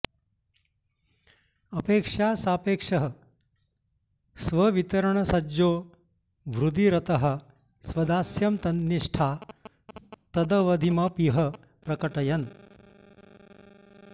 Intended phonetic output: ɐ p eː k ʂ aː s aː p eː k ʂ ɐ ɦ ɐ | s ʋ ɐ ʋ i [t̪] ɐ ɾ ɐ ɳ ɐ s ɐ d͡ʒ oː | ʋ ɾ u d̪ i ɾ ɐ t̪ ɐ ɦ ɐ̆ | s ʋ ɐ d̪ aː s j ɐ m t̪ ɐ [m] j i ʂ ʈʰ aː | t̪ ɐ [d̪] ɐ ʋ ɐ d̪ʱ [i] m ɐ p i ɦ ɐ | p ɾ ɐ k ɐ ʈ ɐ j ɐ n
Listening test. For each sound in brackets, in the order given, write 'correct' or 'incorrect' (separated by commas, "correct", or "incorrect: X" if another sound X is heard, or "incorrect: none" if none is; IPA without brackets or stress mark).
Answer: correct, incorrect: n, correct, correct